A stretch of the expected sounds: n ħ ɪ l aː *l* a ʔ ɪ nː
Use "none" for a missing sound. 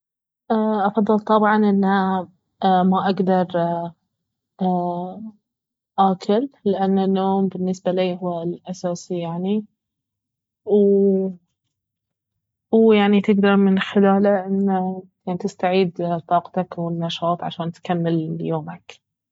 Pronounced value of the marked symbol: l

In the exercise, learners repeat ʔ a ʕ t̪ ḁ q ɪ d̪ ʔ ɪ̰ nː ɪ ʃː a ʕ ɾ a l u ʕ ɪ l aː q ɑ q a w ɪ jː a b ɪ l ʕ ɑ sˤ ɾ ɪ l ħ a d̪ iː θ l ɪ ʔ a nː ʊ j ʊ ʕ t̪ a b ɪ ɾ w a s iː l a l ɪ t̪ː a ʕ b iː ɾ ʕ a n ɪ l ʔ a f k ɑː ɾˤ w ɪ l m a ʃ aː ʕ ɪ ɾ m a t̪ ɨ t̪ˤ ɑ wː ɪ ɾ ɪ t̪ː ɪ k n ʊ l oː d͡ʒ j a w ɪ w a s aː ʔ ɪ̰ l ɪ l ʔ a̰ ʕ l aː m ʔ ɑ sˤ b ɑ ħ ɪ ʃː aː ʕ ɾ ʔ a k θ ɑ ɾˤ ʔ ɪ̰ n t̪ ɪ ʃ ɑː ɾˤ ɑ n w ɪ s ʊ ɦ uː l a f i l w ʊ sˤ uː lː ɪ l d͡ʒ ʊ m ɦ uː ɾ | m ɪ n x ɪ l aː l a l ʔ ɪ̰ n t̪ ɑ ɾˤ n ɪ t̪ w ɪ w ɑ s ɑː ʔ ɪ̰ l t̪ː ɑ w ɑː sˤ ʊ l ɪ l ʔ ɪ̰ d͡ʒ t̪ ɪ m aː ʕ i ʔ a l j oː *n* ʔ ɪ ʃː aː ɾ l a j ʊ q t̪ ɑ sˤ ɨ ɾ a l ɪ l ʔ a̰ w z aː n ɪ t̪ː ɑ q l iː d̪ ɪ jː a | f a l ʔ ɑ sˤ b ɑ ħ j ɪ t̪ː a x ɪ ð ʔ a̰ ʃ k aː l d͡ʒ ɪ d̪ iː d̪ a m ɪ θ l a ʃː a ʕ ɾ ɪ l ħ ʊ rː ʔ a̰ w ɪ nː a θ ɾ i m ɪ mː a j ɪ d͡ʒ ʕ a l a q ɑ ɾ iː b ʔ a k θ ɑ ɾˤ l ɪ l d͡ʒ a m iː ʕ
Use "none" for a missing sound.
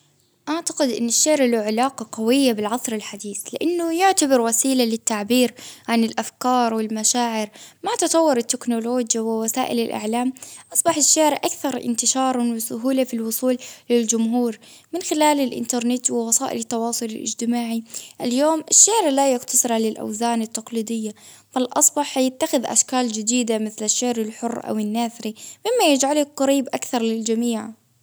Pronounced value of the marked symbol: m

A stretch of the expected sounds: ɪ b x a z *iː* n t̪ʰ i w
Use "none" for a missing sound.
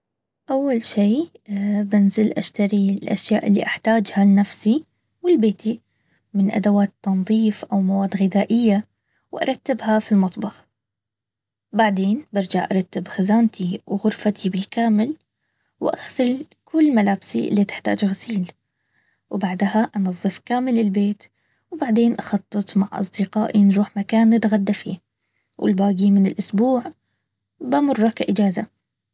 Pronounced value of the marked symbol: aː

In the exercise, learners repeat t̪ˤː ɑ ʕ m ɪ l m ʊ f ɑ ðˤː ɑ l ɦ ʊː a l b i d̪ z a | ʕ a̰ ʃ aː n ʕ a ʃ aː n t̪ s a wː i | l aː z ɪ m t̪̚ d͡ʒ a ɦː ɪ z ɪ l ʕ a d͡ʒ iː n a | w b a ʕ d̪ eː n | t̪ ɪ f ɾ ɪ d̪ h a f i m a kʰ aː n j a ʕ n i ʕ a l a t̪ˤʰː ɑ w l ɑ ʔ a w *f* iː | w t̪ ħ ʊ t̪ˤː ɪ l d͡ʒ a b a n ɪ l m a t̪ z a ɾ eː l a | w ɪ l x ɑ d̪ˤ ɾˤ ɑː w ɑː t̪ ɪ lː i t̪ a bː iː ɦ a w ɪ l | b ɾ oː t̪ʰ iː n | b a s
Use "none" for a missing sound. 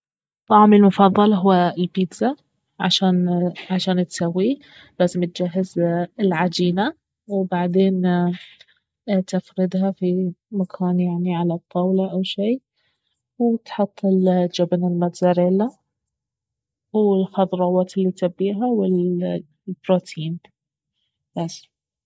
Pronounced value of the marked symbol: ʃ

